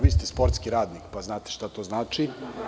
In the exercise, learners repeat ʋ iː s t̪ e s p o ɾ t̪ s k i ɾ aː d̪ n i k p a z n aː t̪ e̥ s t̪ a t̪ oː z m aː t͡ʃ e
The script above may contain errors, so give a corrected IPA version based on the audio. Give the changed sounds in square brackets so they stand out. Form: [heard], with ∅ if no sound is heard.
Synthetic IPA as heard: ʋ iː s t̪ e s p o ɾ t̪ s k i ɾ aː d̪ n i k p a z n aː t̪ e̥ [ʃ] t̪ a t̪ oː z [n] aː t͡ʃ [i]